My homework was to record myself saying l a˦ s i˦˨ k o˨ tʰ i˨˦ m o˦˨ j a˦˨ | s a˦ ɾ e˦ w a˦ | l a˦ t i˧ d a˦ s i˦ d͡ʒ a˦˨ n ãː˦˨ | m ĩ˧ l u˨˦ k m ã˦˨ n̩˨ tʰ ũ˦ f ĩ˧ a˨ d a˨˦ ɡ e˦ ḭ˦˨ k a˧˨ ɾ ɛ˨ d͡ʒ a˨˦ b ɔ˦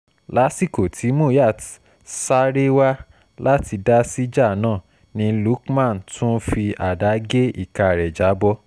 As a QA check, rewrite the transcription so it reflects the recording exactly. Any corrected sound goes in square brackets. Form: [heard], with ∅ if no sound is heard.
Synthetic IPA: l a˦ s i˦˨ k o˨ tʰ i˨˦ m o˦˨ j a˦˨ | s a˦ ɾ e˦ w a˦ | l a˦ t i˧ d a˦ s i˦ d͡ʒ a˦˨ n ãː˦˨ | [n] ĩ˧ l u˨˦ k m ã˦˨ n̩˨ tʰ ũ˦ f [i˧] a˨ d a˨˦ ɡ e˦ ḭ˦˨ k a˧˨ ɾ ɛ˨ d͡ʒ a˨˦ b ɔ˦